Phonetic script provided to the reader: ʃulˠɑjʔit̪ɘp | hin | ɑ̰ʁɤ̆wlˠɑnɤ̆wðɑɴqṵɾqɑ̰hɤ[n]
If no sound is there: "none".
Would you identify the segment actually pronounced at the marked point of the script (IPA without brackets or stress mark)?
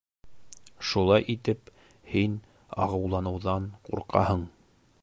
ɴ